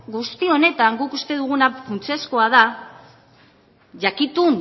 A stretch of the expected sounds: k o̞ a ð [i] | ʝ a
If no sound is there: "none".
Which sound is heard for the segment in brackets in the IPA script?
a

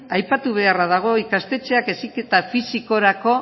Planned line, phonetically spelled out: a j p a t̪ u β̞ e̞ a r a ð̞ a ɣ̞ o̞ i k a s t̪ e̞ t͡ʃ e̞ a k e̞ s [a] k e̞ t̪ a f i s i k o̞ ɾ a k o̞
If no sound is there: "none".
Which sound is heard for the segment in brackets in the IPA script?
i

